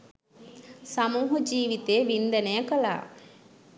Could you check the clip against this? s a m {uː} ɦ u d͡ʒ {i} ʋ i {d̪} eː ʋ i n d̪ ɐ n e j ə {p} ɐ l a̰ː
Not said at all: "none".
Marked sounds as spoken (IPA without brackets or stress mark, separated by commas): uː, iː, t̪, k